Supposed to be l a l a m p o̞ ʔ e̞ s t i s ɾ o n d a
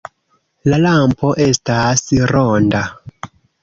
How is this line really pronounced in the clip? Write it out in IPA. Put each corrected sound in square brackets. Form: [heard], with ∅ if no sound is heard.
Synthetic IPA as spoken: l a l a m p o̞ ʔ e̞ s t [a] s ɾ o n d a

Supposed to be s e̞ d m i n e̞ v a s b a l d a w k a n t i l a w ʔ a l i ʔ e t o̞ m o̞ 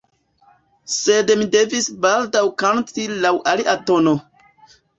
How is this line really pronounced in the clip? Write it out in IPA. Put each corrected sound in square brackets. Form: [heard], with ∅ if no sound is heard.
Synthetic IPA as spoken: s e̞ d m i [d] e̞ v [i] s b a l d a w k a n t i l a w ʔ a l i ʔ [a] t o̞ [n] o̞

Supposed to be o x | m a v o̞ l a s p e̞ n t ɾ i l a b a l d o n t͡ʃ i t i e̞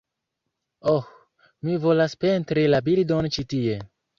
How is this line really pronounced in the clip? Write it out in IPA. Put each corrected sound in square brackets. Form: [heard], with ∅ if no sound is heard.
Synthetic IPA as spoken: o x | m [i] v o̞ l a s p e̞ n t ɾ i l a b [i] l d o n t͡ʃ i t i e̞

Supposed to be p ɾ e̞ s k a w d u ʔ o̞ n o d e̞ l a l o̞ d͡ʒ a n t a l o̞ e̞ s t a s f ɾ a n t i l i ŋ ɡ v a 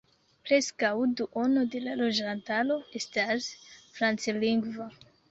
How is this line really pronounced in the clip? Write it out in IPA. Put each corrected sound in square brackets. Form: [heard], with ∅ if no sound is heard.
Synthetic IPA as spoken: p ɾ e̞ s k a w d u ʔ o̞ n o d e̞ l a l o̞ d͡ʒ a n t a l o̞ e̞ s t a s f ɾ a n [t͡s] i l i ŋ ɡ v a

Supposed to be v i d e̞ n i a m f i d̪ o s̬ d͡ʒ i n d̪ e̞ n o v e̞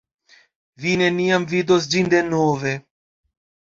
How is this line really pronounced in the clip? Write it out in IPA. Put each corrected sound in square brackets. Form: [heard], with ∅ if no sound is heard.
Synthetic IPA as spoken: v i [n] e̞ n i a m [v] i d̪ o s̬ d͡ʒ i n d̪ e̞ n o v e̞

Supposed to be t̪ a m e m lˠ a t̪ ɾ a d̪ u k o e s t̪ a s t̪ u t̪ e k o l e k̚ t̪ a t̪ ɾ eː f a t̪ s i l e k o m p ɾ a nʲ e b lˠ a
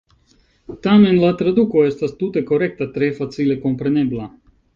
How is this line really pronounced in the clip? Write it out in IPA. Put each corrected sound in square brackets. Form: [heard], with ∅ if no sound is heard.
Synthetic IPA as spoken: t̪ a m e [n] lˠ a t̪ ɾ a d̪ u k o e s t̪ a s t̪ u t̪ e k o [ɾ] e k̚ t̪ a t̪ ɾ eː f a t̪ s i l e k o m p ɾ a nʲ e b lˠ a

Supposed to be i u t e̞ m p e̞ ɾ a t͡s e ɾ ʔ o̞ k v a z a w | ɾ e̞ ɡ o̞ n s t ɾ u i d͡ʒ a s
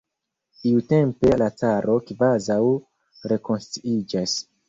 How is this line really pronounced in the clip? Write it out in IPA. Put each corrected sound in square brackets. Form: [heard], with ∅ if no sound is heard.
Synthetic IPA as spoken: i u t e̞ m p e̞ [l] a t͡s [a] ɾ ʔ o̞ k v a z a w | ɾ e̞ [k] o̞ n s t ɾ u i d͡ʒ a s

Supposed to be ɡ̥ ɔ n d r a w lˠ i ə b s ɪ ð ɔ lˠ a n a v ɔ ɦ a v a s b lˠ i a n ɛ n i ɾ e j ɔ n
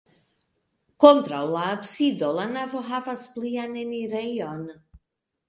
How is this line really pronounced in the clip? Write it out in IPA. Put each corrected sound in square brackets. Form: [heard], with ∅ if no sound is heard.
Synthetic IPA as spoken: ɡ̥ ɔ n d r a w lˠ [a] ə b s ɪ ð ɔ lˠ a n a v ɔ ɦ a v a s b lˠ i a n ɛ n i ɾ e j ɔ n

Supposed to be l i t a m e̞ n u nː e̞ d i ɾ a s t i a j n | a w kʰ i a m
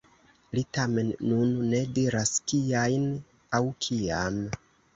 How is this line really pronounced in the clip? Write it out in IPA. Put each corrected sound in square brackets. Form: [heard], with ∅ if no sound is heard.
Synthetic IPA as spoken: l i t a m e̞ [nː] u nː e̞ d i ɾ a s [k] i a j n | a w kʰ i a m

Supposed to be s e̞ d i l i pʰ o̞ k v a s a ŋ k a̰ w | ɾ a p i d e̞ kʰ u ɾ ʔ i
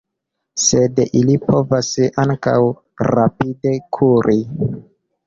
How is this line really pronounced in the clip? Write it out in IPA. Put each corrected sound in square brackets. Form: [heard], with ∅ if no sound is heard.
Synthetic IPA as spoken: s e̞ d i l i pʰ o̞ [∅] v a s a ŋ k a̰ w | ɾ a p i d e̞ kʰ u ɾ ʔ i

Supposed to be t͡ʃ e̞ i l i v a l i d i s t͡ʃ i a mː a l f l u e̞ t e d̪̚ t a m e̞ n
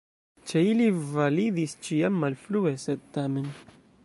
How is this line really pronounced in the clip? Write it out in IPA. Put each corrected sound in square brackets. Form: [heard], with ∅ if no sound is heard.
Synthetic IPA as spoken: t͡ʃ e̞ i l i v a l i d i s t͡ʃ i a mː a l f l u e̞ [s] e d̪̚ t a m e̞ n

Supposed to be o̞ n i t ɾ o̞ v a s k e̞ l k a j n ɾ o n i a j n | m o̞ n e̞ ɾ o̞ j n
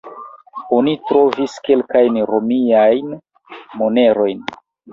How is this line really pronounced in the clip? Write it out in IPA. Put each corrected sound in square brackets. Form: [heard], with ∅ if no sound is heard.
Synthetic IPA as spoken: o̞ n i t ɾ o̞ v [i] s k e̞ l k a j n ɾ o [m] i a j n | m o̞ n e̞ ɾ o̞ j n

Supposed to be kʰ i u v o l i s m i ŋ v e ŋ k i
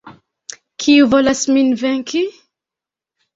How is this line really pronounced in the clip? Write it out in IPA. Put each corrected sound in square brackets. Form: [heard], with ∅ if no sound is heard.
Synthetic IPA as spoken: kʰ i u v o l [a] s m i [n] v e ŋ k i

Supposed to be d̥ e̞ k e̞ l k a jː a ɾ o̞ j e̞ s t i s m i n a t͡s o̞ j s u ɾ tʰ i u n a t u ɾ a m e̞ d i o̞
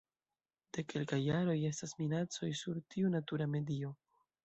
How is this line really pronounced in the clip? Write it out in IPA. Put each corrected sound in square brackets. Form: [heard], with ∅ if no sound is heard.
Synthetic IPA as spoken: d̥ e̞ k e̞ l k a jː a ɾ o̞ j e̞ s t [a] s m i n a t͡s o̞ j s u ɾ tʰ i u n a t u ɾ a m e̞ d i o̞

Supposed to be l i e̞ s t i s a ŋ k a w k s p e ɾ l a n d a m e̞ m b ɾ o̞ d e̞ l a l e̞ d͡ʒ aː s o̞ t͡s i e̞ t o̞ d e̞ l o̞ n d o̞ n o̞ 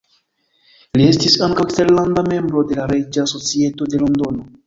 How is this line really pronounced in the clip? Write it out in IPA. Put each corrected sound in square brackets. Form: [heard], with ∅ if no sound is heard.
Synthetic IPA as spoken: l i e̞ s t i s a ŋ k a w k s [t] e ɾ l a n d a m e̞ m b ɾ o̞ d e̞ l a [ɾ] e̞ d͡ʒ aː s o̞ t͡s i e̞ t o̞ d e̞ l o̞ n d o̞ n o̞

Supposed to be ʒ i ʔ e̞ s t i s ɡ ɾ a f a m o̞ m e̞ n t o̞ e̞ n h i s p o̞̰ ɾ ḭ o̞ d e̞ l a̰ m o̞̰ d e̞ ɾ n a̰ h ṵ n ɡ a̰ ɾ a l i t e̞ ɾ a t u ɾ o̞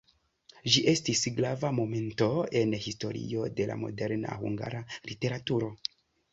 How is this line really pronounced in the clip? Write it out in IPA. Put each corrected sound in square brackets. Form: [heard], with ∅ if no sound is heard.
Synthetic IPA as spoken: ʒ i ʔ e̞ s t i s ɡ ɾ a [v] a m o̞ m e̞ n t o̞ e̞ n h i s [t] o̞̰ ɾ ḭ o̞ d e̞ l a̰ m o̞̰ d e̞ ɾ n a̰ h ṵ [ŋ] ɡ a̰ ɾ a l i t e̞ ɾ a t u ɾ o̞

